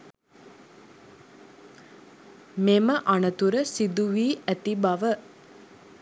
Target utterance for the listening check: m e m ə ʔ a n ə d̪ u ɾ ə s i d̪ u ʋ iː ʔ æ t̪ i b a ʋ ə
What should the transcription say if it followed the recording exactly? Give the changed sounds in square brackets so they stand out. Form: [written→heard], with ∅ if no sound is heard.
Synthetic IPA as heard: m e m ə ʔ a n ə [d̪→t̪] u ɾ ə s i d̪ u ʋ iː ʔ æ t̪ i b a ʋ ə